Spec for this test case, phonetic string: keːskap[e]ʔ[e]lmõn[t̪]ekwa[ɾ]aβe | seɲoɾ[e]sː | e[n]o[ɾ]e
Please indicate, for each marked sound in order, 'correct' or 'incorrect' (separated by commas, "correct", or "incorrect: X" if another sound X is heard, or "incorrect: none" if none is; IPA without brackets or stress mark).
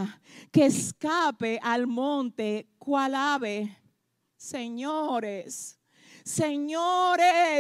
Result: correct, incorrect: a, correct, incorrect: l, correct, incorrect: ɲ, correct